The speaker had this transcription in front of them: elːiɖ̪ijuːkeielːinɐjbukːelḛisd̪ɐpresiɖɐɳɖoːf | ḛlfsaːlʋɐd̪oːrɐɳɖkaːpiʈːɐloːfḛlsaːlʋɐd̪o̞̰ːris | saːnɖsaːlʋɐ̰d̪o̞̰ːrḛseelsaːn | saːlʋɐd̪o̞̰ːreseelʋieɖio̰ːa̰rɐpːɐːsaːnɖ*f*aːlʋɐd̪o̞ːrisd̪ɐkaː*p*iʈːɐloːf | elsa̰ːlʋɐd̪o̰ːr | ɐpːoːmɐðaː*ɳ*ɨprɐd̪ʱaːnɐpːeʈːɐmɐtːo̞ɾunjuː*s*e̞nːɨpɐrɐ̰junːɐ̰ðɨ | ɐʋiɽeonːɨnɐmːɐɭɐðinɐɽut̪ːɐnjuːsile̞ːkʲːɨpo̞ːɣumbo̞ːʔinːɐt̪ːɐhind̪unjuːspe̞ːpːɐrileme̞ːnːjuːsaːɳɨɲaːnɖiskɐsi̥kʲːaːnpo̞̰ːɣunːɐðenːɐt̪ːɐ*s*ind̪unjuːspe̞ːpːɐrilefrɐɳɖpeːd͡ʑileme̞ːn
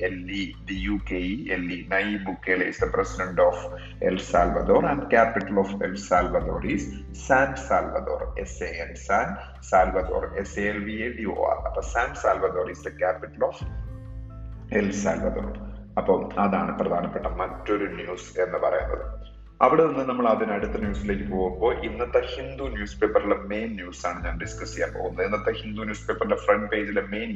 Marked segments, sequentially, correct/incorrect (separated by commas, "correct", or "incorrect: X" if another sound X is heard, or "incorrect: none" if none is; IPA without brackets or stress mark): incorrect: s, correct, correct, correct, incorrect: h